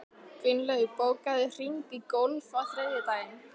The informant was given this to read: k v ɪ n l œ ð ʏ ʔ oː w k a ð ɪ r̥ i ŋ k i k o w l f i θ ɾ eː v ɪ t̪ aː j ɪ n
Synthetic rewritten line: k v ɪ n l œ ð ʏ p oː w k a ð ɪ r̥ i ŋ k i k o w l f a θ ɾ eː ð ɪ t̪ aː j ɪ n